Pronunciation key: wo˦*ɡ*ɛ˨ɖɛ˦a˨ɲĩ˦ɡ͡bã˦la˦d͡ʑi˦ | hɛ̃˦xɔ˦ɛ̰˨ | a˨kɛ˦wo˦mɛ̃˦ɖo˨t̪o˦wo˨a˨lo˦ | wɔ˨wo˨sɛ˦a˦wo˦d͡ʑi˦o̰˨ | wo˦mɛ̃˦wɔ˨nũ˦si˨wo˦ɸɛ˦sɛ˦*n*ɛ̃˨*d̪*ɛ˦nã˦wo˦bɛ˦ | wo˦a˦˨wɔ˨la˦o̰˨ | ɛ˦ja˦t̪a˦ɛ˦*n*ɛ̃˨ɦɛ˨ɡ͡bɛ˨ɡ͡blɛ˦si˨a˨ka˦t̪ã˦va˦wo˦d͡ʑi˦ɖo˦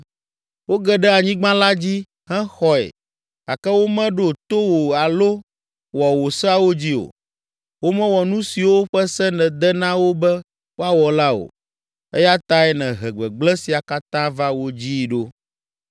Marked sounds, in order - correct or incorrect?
correct, correct, correct, correct

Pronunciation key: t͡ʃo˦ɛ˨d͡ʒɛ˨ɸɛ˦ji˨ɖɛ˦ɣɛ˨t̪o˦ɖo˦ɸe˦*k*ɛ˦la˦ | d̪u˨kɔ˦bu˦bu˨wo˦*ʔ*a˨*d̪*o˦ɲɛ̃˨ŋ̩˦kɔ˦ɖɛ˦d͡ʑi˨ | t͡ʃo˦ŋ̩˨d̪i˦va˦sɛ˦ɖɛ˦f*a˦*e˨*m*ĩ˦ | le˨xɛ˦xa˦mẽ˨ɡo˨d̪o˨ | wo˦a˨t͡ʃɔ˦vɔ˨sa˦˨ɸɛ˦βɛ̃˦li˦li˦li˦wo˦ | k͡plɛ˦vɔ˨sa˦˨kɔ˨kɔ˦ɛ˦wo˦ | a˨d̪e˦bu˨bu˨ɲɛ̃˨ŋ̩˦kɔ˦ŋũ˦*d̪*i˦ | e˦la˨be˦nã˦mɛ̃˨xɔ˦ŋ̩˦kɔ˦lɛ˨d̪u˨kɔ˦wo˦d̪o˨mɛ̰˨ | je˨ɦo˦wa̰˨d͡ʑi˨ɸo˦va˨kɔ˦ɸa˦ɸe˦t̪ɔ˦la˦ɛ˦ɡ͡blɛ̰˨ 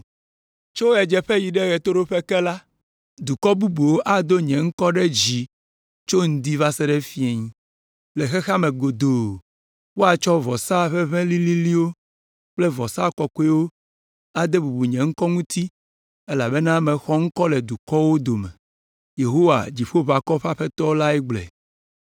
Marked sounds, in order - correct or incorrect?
correct, correct, correct, incorrect, incorrect, incorrect

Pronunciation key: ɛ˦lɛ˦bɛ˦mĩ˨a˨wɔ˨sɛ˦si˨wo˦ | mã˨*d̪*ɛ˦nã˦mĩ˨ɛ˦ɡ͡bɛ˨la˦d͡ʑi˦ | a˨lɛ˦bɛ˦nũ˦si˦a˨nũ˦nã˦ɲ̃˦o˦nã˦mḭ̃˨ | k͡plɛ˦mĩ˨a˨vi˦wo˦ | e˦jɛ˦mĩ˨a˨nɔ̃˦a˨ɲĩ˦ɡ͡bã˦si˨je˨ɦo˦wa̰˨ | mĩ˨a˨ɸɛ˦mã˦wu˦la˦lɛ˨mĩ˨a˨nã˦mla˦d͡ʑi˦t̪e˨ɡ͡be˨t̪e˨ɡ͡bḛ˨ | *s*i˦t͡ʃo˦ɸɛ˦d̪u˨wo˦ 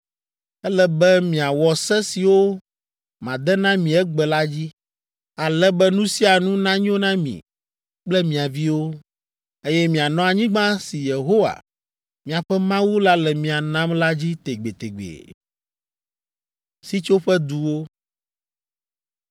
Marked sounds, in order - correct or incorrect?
correct, correct

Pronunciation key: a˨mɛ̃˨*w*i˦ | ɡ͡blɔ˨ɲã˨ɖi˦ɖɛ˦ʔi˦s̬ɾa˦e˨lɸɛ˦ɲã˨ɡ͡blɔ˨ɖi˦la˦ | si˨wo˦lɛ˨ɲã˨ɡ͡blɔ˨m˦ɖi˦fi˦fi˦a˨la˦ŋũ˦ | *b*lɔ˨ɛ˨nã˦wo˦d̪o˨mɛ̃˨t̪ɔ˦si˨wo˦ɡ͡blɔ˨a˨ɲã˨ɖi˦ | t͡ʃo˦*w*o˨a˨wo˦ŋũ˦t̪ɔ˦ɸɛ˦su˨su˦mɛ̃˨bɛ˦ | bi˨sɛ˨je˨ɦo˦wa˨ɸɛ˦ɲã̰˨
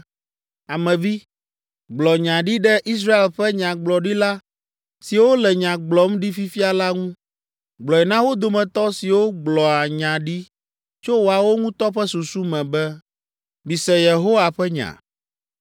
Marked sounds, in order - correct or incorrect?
incorrect, incorrect, correct

